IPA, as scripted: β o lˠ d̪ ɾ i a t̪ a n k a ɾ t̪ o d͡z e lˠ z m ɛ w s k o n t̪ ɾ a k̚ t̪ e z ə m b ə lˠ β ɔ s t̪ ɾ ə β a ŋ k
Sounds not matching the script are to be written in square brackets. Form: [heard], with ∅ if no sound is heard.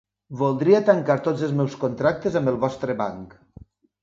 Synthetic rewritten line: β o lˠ d̪ ɾ i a t̪ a [ŋ] k a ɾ t̪ o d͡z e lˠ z m ɛ w s k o n t̪ ɾ a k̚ t̪ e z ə m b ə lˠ β ɔ s t̪ ɾ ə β a ŋ k